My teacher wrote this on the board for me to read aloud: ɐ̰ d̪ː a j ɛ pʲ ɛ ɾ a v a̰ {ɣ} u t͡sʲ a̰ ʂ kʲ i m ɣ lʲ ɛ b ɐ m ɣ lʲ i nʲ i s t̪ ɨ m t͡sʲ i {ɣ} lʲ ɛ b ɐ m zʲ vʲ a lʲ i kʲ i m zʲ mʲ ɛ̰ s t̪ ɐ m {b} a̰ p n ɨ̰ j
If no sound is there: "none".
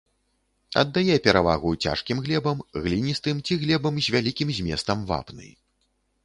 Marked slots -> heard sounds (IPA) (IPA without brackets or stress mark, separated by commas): ɣ, ɣ, v